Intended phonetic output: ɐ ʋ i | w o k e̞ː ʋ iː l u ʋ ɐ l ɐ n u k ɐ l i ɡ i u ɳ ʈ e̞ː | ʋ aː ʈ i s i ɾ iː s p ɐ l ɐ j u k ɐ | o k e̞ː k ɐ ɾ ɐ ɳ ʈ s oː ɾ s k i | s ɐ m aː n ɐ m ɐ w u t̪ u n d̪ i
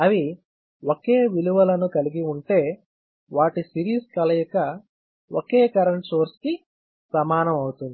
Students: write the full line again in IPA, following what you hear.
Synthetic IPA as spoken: ɐ ʋ i | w o k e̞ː ʋ i l u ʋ ɐ l ɐ n u k ɐ l i ɡ i u ɳ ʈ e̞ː | ʋ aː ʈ i s i ɾ iː s k ɐ l ɐ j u k ɐ | o k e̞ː k ɐ ɾ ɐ ɳ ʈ s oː ɾ s k i | s ɐ m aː n ɐ m ɐ w u t̪ u n d̪ i